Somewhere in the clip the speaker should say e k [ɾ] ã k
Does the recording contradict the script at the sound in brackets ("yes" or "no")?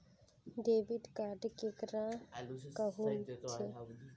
no